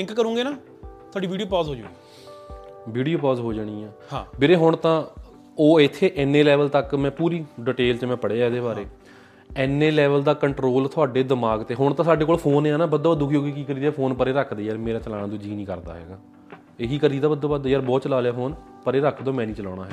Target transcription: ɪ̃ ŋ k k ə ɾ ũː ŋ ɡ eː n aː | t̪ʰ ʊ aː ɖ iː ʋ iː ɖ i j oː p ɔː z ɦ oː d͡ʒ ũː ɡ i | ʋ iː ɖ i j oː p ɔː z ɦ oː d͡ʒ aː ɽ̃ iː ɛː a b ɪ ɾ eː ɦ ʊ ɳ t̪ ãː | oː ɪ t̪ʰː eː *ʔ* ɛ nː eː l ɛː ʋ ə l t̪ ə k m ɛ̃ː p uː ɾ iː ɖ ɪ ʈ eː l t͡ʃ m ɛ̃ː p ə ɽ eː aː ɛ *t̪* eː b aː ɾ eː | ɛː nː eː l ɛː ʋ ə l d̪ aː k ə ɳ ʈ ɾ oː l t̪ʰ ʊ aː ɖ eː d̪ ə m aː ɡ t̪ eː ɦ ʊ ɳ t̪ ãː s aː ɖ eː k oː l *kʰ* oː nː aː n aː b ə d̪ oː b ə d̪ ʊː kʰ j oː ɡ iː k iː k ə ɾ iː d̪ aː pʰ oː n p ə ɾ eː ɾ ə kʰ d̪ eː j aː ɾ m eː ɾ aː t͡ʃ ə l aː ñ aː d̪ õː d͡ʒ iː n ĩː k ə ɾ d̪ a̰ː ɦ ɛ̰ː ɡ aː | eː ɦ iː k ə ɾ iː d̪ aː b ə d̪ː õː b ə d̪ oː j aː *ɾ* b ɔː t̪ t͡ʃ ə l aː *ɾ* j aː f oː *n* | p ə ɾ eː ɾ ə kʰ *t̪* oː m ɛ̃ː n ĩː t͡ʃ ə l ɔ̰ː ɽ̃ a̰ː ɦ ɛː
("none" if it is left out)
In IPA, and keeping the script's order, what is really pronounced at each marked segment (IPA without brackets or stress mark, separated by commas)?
ʔ, d̪, pʰ, ɾ, l, n, d̪